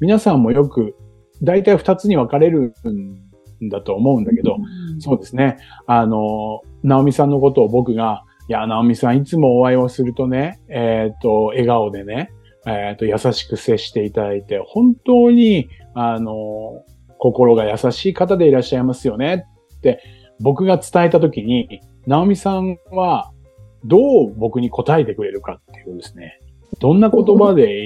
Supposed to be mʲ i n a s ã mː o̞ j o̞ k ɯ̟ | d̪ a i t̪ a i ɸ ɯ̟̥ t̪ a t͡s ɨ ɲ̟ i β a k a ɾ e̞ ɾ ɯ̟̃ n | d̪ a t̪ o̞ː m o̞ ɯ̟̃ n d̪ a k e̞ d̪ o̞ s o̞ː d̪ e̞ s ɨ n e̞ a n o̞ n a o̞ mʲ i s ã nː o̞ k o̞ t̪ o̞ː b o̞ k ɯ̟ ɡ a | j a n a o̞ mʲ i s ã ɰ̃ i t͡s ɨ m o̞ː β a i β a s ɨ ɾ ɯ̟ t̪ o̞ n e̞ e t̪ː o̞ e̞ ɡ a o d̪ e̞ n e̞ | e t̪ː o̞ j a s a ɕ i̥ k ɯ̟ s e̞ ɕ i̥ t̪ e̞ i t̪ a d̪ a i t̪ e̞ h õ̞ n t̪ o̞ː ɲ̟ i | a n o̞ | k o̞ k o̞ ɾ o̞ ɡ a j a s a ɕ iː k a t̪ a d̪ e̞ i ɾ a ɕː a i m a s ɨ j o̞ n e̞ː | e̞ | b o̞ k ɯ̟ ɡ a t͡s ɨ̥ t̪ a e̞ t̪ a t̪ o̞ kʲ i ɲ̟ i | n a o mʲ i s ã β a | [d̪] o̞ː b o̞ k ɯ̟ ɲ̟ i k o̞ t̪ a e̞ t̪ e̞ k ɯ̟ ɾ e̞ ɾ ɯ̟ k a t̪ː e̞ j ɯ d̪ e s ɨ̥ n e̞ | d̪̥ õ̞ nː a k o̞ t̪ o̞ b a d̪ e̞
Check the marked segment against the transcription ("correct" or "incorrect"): correct